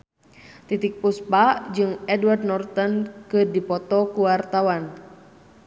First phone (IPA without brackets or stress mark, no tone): t̪